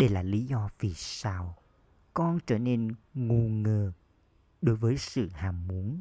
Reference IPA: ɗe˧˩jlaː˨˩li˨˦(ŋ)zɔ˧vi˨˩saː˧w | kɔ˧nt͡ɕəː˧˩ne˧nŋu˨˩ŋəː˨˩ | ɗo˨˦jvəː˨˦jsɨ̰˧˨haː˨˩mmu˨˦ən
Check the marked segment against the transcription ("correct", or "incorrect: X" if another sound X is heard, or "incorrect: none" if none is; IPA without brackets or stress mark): incorrect: none